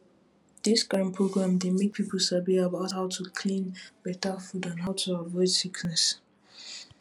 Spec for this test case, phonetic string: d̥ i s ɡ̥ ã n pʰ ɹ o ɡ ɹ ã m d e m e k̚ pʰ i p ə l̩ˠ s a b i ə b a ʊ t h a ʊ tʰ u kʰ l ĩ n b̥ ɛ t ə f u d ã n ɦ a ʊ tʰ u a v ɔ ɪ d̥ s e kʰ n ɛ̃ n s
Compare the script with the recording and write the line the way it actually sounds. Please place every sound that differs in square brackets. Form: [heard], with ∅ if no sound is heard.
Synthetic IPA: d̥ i s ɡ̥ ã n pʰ ɹ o ɡ ɹ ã m d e m e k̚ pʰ i p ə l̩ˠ s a b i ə b a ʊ t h a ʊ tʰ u kʰ l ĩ n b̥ ɛ t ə f u d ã n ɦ a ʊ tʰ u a v ɔ ɪ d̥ s [i] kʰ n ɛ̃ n s